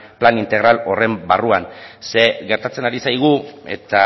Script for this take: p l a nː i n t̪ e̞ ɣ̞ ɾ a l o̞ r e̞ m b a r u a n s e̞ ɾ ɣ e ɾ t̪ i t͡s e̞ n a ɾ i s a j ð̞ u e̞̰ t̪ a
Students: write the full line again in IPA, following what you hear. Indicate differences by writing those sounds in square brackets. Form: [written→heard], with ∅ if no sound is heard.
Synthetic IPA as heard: p l a [nː→n] i n t̪ e̞ ɣ̞ ɾ a l o̞ r e̞ m b a r u a n s e̞ [ɾ→∅] ɣ e ɾ t̪ [i→a] t͡s e̞ n a ɾ i s a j [ð̞→ɣ̞] u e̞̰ t̪ a